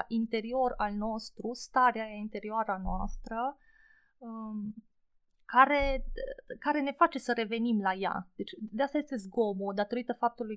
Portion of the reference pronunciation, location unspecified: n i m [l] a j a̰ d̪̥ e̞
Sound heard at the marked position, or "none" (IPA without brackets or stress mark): l